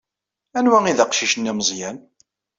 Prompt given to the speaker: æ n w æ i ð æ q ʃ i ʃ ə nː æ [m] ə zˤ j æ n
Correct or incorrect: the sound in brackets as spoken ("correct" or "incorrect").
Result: correct